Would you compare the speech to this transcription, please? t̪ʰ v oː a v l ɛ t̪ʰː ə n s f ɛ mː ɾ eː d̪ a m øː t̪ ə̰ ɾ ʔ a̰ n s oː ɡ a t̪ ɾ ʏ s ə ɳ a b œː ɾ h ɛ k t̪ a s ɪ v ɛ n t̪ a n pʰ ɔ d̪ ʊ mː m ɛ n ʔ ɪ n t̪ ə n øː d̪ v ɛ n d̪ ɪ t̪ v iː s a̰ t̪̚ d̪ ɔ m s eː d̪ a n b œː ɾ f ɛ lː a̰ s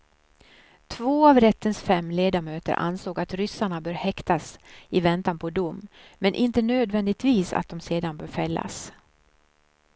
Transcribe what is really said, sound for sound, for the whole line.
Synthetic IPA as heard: t̪ʰ v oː a v ɾ ɛ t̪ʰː ə n s f ɛ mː l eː d̪ a m øː t̪ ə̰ ɾ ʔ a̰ n s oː ɡ a t̪ ɾ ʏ s a ɳ a b œː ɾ h ɛ k t̪ a s ɪ v ɛ n t̪ a n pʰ ɔ d̪ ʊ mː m ɛ n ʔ ɪ n t̪ ə n øː d̪ v ɛ n d̪ ɪ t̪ v iː s a̰ t̪̚ d̪ ɔ m s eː d̪ a n b œː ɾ f ɛ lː a̰ s